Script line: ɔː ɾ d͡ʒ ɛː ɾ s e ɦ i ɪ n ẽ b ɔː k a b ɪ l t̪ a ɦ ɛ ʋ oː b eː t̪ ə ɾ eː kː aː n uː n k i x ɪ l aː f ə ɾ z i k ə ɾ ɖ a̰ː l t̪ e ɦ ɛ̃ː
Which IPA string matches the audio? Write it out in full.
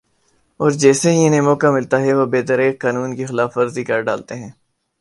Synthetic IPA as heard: ɔː ɾ d͡ʒ ɛː s e ɦ i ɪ n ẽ m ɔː k a m ɪ l t̪ a ɦ ɛ ʋ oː b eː t̪ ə ɾ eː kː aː n uː n k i x ɪ l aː f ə ɾ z i k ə ɾ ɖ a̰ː l t̪ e ɦ ɛ̃ː